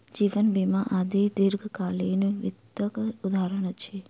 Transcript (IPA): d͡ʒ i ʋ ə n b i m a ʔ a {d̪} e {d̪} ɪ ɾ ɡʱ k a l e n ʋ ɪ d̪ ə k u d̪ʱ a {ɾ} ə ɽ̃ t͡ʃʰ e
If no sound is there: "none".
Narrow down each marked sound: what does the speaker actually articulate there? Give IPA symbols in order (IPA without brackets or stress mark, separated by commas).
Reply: d̪, d̪, ɾ